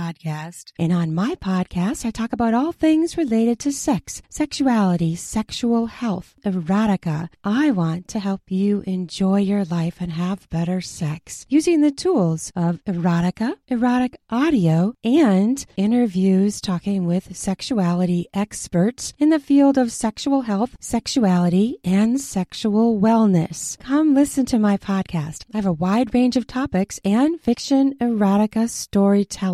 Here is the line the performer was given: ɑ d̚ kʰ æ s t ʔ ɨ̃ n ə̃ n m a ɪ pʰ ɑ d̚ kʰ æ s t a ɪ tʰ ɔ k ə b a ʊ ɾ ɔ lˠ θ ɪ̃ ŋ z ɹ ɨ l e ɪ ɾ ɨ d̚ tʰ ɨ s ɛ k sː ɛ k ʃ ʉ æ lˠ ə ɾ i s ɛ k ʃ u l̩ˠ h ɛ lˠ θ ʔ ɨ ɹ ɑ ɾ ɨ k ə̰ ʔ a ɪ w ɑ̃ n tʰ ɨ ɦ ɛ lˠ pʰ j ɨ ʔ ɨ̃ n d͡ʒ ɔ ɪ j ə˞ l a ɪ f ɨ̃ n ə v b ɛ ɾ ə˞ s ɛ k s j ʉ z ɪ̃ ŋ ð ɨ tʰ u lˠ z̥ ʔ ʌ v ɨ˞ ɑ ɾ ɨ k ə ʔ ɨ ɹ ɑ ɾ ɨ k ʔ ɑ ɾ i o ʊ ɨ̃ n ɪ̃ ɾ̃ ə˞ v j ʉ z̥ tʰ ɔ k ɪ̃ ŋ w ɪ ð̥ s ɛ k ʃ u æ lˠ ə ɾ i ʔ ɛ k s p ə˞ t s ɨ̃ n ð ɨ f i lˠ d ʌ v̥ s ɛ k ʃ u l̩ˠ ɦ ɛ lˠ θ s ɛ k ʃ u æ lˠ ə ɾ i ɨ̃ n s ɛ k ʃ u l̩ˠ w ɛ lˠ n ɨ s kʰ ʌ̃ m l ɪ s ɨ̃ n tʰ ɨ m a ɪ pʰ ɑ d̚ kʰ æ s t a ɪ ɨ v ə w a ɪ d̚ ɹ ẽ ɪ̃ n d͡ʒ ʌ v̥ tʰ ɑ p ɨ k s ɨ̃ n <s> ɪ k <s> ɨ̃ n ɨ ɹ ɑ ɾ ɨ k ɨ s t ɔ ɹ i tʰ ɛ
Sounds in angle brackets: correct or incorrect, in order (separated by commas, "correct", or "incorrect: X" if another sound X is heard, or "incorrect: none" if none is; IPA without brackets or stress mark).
incorrect: f, incorrect: ʃ